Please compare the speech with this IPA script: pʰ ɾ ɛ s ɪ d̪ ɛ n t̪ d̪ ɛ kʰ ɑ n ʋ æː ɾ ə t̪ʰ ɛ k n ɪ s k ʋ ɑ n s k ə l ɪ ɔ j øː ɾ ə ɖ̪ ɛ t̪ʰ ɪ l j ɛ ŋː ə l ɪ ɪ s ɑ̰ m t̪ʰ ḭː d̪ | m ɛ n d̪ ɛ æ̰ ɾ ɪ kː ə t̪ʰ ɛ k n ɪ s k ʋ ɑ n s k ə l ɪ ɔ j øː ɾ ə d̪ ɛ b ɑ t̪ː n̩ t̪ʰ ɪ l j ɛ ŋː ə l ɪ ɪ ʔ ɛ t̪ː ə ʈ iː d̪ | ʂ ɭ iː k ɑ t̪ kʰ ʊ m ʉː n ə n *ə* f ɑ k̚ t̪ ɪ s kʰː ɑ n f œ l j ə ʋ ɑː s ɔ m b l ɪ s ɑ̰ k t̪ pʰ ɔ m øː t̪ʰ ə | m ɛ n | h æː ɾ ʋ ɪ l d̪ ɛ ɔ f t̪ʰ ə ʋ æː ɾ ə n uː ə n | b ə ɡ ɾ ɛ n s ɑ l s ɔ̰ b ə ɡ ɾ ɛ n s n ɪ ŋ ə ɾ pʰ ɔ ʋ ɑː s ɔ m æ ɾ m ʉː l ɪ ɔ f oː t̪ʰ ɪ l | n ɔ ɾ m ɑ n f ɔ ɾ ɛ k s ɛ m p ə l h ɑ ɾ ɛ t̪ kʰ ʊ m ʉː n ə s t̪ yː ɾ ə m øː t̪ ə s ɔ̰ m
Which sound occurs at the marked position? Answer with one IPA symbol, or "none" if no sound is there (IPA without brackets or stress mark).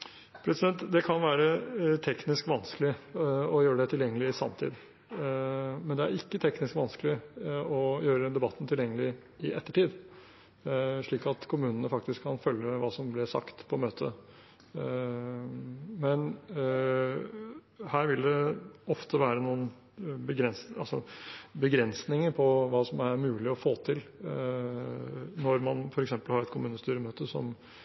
ə